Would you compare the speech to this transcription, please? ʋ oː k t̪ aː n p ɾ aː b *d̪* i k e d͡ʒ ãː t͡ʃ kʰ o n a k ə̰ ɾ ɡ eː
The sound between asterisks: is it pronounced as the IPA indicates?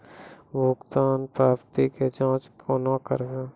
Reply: no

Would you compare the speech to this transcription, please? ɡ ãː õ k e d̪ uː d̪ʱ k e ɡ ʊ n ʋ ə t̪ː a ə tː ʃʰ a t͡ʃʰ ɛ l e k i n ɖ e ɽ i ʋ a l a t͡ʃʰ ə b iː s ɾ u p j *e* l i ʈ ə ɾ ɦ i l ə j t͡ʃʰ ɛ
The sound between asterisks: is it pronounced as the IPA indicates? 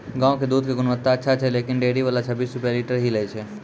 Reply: no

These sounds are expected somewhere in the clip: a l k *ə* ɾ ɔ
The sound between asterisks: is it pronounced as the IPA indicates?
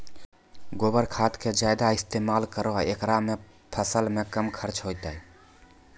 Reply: yes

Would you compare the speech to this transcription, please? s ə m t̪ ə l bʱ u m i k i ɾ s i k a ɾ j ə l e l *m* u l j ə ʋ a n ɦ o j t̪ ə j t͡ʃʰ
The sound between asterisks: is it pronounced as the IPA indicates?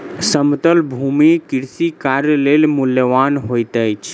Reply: yes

